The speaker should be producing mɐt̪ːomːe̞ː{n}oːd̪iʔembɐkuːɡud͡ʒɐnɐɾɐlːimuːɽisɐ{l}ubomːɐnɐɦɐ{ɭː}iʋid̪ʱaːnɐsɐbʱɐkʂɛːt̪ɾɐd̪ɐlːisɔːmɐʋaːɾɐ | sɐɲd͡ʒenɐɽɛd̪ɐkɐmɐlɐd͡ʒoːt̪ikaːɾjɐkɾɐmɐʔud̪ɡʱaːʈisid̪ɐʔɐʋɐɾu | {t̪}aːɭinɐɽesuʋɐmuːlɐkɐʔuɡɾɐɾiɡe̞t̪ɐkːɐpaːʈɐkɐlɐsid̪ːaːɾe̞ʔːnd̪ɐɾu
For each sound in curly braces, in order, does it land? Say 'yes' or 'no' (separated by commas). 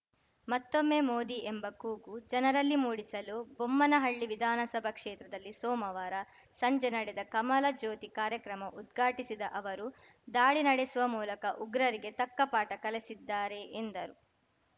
no, yes, yes, no